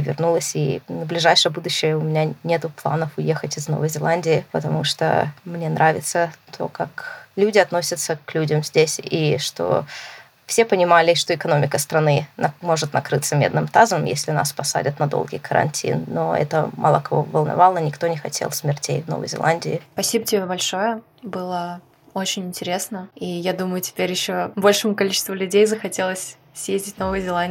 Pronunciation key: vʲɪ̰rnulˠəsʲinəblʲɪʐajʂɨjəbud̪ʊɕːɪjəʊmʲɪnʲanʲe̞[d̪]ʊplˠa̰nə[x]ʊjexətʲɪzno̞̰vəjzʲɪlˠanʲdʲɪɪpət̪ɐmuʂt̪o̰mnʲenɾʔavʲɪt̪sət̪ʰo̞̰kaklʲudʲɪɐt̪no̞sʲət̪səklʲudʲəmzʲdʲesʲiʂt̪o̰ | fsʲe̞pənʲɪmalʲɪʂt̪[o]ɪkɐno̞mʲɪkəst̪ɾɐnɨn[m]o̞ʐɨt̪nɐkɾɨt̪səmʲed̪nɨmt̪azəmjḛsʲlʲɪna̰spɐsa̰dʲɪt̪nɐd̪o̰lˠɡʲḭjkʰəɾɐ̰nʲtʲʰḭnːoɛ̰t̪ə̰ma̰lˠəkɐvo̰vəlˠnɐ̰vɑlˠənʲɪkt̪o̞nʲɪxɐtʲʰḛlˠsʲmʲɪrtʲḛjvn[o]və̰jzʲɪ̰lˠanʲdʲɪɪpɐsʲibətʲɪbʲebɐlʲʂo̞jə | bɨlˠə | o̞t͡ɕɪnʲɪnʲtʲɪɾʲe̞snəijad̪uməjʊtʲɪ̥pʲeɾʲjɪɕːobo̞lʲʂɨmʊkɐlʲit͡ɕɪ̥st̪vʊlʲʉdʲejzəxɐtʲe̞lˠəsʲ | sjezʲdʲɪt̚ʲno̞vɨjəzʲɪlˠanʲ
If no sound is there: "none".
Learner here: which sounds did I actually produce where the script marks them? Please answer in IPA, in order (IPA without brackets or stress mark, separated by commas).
t̪, f, o, m, o